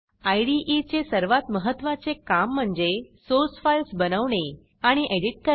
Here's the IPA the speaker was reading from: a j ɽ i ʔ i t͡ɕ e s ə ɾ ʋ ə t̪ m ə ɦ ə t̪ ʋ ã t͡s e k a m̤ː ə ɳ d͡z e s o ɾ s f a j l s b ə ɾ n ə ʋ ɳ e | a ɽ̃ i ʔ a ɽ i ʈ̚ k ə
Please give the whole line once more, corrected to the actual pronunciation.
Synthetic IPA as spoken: a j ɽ i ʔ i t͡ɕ e s ə ɾ ʋ a t̪ m ə ɦ ə t̪ ʋ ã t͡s e k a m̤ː ə ɳ d͡z e s o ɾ s f a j l s b ə n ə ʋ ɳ e | a ɽ̃ i ʔ e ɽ i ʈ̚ k ə